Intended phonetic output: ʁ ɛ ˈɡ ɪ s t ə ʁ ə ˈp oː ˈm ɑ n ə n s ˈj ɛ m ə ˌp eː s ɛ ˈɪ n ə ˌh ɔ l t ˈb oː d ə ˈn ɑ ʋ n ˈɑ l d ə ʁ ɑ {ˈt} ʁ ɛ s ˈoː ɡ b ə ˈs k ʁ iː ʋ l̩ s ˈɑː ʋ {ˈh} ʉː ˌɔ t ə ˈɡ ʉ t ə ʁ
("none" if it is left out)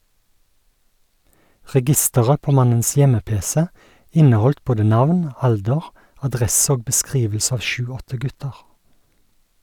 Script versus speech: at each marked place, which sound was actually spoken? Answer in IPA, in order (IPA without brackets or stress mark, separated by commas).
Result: d, ʃ